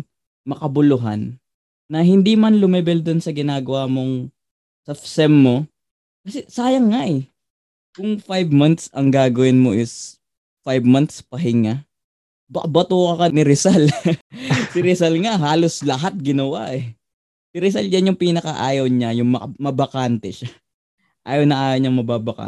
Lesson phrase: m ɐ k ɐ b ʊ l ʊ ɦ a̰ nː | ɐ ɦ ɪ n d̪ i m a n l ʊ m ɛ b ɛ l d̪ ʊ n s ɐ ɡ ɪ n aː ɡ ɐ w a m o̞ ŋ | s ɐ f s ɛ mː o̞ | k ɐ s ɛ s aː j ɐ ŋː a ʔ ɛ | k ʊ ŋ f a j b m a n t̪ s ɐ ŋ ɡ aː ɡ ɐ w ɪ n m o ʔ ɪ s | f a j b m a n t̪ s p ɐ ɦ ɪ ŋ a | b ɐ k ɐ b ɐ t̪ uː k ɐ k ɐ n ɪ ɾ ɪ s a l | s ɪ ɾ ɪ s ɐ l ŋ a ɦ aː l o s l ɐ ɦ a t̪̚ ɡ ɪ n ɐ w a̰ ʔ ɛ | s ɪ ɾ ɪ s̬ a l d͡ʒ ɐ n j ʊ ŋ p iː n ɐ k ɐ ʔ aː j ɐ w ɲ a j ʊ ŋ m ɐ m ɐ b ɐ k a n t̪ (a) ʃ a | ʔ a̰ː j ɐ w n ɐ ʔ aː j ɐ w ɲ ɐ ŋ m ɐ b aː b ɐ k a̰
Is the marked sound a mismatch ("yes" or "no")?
yes